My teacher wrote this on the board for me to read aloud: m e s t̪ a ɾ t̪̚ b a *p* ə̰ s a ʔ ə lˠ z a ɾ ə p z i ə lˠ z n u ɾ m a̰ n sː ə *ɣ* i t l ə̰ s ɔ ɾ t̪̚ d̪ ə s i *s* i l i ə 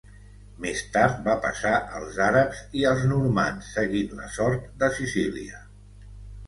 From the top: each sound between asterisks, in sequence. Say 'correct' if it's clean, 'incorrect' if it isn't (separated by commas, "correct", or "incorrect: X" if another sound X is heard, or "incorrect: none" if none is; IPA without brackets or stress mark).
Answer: correct, correct, correct